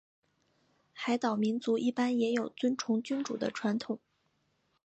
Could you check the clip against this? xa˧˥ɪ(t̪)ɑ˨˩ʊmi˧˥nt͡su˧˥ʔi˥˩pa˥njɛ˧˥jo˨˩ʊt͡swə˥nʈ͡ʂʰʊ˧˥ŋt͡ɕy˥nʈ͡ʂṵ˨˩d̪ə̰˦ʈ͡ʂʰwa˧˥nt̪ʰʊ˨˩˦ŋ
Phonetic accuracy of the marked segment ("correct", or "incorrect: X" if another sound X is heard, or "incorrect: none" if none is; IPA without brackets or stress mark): correct